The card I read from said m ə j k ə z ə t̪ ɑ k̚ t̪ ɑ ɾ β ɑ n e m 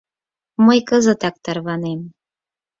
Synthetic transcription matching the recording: m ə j k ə z ə t̪ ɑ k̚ t̪ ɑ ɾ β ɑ n e m